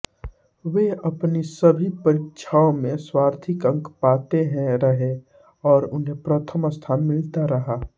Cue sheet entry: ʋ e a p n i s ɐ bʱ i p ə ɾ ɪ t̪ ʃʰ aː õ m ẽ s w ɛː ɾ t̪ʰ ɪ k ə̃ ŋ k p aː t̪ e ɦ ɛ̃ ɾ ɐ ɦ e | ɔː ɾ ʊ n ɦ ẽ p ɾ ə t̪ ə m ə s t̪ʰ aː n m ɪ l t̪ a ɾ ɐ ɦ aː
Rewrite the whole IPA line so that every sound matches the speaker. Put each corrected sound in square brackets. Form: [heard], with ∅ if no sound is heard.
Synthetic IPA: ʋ e [ɐ] p n i s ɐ bʱ i p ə ɾ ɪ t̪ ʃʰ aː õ m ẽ s w [aː] ɾ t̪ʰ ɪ k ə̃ ŋ k p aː t̪ e ɦ ɛ̃ ɾ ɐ ɦ e | ɔː ɾ ʊ n ɦ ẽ p ɾ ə [t̪ʰ] ə m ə s t̪ʰ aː n m ɪ l t̪ a ɾ ɐ ɦ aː